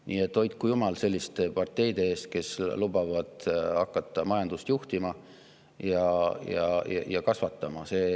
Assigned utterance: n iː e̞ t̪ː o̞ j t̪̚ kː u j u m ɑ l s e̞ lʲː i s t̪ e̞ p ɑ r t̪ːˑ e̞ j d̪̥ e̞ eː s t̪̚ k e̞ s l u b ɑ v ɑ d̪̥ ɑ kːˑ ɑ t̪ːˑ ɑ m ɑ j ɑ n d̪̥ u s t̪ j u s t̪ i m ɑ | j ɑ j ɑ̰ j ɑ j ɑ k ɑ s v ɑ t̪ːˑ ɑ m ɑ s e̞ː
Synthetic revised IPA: n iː e̞ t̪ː o̞ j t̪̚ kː u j u m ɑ l s e̞ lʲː i s t̪ e̞ p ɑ r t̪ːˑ e̞ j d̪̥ e̞ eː s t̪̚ k e̞ s l u b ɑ v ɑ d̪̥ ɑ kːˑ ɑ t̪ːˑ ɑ m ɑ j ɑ n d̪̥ u s t̪ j u h t̪ i m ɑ | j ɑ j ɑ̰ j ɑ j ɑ k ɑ s v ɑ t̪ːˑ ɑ m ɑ s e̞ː

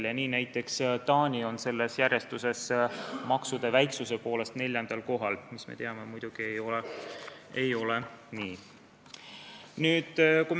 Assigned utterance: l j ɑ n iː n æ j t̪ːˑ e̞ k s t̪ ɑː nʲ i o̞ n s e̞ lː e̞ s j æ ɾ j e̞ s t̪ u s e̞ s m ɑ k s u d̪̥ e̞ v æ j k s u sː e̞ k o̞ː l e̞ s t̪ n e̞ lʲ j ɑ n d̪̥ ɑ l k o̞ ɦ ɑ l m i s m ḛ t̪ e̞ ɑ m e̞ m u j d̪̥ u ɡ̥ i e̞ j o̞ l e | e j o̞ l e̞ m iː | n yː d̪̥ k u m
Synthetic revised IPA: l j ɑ n iː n æ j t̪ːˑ e̞ k s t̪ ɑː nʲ i o̞ n s e̞ lː e̞ s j æ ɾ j e̞ s t̪ u s e̞ s m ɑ k s u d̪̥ e̞ v æ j k s u s e̞ p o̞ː l e̞ s t̪ n e̞ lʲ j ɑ n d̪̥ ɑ l k o̞ ɦ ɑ l m i s m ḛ t̪ e̞ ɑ m e̞ m u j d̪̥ u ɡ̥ i e̞ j o̞ l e | e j o̞ l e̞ n iː | n yː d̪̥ k u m

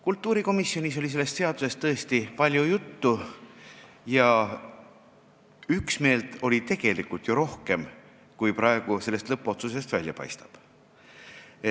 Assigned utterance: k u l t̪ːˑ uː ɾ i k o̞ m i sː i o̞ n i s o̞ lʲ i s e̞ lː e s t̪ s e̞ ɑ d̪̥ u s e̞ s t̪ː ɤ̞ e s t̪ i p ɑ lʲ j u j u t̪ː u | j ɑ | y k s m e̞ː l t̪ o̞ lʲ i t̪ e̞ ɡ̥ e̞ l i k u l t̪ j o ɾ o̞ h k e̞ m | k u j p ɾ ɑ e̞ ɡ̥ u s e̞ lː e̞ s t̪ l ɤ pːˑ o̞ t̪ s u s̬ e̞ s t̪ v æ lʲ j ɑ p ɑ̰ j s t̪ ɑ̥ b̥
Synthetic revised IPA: k u l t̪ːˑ uː ɾ i k o̞ m i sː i o̞ n i s o̞ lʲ i s e̞ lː e s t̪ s e̞ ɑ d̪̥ u s e̞ s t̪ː ɤ̞ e s t̪ i p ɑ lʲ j u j u t̪ː u | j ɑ | y k s m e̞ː l t̪ o̞ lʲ i t̪ e̞ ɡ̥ e̞ l i k u l t̪ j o ɾ o̞ h k e̞ m | k u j p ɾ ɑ e̞ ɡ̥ u s e̞ lː e̞ s t̪ l ɤ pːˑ o̞ t̪ s u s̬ e̞ s t̪ v æ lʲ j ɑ p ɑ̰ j s t̪ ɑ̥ b̥

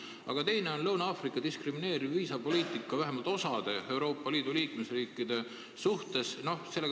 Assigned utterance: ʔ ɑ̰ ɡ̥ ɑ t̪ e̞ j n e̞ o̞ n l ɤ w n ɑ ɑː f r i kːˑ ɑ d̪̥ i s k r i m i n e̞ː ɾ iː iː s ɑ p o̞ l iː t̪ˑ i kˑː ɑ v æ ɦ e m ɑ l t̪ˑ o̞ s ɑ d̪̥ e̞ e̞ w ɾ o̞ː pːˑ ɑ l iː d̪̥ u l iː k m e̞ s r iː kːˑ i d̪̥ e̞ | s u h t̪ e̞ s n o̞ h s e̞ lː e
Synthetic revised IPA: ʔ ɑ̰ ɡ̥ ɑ t̪ e̞ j n e̞ o̞ n l ɤ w n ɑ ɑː f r i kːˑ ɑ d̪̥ i s k r i m i n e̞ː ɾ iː iː s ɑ p o̞ l iː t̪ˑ i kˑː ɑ v æ ɦ e m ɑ l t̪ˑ o̞ s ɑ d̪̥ e̞ e̞ w ɾ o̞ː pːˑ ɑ l iː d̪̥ u l iː k m e̞ s r iː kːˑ i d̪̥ e̞ | s u h t̪ e̞ s n o̞ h s e̞ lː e

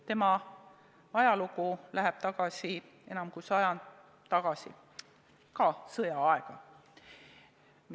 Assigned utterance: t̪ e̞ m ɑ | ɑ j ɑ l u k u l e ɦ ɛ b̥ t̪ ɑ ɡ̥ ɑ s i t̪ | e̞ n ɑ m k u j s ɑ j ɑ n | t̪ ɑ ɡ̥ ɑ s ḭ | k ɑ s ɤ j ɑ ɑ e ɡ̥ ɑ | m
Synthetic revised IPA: t̪ e̞ m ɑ | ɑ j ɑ l u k u l æ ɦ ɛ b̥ t̪ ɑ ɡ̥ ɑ s i | e̞ n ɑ m k u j s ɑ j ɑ n | t̪ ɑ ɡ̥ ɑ s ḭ | k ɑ s ɤ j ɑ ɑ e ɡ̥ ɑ | m

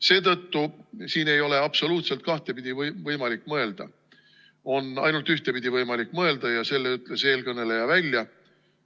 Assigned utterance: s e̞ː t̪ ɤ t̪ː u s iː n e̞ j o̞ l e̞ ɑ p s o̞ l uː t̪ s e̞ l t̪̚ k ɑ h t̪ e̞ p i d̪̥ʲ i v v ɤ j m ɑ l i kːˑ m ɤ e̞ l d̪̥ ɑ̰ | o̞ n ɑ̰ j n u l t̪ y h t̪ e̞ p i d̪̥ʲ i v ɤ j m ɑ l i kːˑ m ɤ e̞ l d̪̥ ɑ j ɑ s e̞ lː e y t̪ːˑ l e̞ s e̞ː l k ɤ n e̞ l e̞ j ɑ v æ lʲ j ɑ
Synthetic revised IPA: s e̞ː t̪ ɤ t̪ː u s iː n e̞ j o̞ l e̞ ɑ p s o̞ l uː t̪ s e̞ l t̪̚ k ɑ h t̪ e̞ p i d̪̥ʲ i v v ɤ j m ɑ l i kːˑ m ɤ e̞ l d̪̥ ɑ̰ | o̞ n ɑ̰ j n u l t̪ y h t̪ e̞ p i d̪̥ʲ i v ɤ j m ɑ l i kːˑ m ɤ e̞ l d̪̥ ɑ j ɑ s e̞ lː e y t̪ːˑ l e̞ s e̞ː l k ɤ n e̞ l e̞ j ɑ v æ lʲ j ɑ

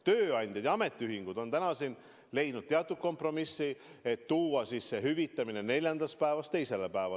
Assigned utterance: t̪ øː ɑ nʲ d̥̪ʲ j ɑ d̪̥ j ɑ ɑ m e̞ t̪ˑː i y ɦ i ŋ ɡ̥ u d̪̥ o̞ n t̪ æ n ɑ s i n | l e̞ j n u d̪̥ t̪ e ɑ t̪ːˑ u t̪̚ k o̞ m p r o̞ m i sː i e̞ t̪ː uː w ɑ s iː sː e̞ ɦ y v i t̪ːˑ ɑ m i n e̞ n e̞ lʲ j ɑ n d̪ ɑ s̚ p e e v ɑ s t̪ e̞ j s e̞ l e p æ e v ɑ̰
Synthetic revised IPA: t̪ øː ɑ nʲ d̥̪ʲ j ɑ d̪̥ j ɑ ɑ m e̞ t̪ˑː i y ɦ i ŋ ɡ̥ u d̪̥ o̞ n t̪ æ n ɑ s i n | l e̞ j n u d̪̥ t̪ e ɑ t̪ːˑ u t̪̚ k o̞ m p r o̞ m i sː i e̞ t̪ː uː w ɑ s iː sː e̞ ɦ y v i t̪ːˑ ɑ m i n e̞ n e̞ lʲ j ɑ n d̪ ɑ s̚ p æ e v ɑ s t̪ e̞ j s e̞ l e p æ e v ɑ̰

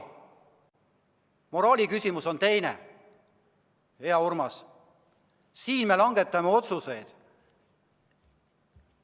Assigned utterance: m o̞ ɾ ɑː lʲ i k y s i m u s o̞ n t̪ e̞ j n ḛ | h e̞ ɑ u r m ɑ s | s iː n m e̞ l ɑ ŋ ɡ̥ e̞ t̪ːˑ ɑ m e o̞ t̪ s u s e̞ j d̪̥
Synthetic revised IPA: m o̞ ɾ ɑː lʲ i k y s i m u s o̞ n t̪ e̞ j n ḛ | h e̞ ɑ u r m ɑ s | s iː n m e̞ l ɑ ŋ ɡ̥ e̞ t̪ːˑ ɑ m e o̞ t̪ s u s e̞ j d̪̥

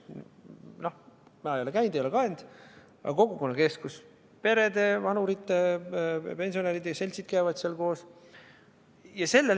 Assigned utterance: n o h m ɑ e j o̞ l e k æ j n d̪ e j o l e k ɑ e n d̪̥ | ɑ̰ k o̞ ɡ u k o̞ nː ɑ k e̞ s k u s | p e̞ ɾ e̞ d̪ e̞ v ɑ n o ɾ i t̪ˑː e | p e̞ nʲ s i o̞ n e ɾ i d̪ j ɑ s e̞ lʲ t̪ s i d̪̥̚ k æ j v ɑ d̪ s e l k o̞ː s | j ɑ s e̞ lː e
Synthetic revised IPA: n o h m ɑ e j o̞ l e k æ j n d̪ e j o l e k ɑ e n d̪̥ | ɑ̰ k o̞ ɡ u k o̞ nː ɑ k e̞ s k u s | p e̞ ɾ e̞ d̪ e̞ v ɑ n u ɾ i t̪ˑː e | p e̞ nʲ s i o̞ n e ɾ i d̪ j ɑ s e̞ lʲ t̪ s i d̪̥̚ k æ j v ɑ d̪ s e l k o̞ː s | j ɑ s e̞ lː e

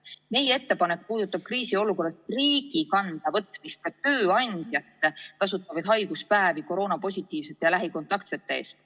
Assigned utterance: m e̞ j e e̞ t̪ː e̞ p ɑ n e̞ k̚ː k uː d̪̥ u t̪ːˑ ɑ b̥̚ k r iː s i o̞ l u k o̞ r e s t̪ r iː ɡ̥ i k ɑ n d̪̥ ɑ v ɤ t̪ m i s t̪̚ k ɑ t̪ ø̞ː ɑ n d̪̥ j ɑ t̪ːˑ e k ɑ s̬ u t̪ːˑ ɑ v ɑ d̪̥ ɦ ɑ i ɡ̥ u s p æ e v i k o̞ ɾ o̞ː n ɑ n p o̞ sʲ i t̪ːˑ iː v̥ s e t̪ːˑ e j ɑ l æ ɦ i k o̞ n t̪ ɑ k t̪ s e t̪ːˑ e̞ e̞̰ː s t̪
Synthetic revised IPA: m e̞ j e e̞ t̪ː e̞ p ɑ n e̞ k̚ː p uː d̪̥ u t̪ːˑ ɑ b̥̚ k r iː s i o̞ l u k o̞ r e s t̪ r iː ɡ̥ i k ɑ n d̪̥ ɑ v ɤ t̪ m i s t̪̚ k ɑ t̪ ø̞ː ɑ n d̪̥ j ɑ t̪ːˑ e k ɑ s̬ u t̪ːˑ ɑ v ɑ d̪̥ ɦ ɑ j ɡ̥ u s p æ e v i k o̞ ɾ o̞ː n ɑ p o̞ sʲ i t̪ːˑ iː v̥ s e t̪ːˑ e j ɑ l æ ɦ i k o̞ n t̪ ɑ k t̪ s e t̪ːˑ e̞ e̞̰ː s t̪

